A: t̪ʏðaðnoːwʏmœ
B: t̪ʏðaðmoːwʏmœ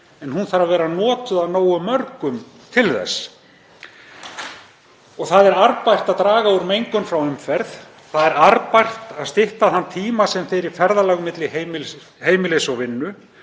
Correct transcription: A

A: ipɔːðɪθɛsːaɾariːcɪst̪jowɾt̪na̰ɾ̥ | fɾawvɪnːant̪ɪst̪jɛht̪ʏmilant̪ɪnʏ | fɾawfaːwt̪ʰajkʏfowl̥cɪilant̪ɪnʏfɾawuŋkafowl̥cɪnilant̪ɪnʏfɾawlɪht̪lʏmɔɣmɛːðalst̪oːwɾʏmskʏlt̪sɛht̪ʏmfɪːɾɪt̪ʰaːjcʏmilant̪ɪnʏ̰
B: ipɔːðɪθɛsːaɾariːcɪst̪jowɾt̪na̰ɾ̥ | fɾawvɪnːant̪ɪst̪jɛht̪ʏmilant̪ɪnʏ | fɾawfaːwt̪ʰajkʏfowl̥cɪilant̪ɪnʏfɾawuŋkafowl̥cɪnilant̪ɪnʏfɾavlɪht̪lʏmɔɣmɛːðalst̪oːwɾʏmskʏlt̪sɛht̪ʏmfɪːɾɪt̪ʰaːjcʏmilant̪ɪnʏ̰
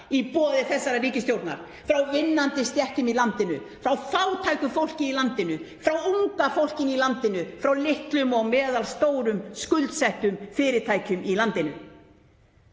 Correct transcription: A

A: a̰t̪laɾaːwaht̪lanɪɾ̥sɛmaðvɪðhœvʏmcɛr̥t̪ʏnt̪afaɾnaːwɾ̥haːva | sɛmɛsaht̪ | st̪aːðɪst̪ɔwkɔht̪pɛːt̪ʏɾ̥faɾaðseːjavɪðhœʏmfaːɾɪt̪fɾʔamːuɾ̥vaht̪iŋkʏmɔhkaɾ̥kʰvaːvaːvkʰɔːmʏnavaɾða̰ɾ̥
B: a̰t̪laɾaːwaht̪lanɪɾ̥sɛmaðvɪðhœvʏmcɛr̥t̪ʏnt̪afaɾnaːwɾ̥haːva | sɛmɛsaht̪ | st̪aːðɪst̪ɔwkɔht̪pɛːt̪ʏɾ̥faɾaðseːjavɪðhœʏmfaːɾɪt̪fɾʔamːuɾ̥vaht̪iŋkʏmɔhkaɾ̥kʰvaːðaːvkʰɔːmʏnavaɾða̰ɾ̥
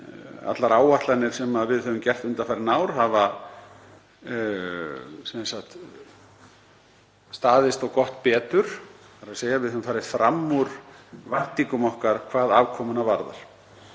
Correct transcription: B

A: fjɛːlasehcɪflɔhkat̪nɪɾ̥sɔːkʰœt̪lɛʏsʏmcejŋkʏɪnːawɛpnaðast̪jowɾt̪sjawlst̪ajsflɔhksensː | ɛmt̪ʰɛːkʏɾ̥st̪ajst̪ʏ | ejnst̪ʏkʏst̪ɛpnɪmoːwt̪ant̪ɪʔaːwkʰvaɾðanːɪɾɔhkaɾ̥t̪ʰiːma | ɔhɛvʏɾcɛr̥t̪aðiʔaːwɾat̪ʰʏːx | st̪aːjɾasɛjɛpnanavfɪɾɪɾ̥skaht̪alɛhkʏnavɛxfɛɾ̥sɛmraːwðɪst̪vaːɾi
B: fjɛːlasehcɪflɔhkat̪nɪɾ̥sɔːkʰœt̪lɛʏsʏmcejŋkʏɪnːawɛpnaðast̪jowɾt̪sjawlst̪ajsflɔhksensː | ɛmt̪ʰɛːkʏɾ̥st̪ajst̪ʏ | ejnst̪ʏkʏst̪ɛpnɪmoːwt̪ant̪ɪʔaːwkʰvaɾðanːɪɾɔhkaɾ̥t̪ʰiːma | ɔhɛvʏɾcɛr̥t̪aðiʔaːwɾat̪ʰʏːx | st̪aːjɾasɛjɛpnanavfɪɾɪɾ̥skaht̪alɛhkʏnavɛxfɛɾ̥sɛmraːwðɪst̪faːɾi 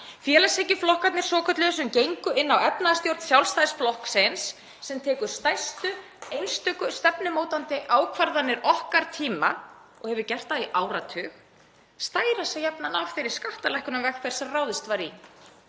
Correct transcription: A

